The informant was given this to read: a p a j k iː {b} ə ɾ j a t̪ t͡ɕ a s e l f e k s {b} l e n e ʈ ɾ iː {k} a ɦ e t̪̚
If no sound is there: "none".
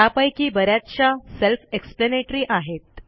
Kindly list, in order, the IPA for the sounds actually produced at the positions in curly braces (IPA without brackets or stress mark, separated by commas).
b, p, ʔ